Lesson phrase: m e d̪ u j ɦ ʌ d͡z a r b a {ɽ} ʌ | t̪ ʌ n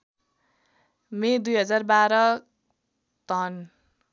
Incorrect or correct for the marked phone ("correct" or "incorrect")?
incorrect